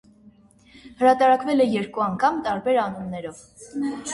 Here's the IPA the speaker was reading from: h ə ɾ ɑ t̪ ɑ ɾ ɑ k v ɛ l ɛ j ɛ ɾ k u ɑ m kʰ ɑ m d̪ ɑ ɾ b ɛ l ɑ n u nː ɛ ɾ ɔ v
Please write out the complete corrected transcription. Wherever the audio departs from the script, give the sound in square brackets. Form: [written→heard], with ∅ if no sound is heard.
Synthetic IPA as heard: h ə ɾ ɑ t̪ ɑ ɾ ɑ k v ɛ l ɛ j ɛ ɾ k u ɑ [m→ŋ] kʰ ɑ m [d̪→t̪] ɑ ɾ b ɛ [l→ɾ] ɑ n u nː ɛ ɾ ɔ v